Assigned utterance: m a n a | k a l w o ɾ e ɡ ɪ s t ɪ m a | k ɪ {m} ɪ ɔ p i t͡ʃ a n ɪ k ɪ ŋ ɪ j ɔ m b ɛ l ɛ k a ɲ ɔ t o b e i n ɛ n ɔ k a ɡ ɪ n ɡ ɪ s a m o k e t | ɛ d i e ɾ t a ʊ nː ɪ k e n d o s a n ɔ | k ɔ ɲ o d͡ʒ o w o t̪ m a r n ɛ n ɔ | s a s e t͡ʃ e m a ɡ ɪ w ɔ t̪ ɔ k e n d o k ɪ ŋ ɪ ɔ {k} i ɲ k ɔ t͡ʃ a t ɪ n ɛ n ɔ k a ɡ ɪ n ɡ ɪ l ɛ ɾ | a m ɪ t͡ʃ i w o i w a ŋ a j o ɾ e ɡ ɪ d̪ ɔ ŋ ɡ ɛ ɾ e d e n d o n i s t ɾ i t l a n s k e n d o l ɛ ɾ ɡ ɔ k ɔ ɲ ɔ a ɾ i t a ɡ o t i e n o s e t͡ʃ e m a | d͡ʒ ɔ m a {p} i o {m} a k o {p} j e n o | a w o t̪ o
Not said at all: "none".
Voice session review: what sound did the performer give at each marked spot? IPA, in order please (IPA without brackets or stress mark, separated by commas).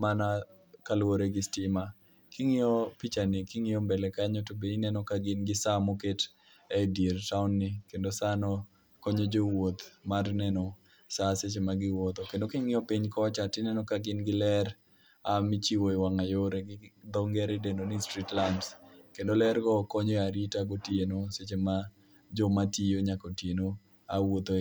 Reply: ŋ, p, t, ɲ, t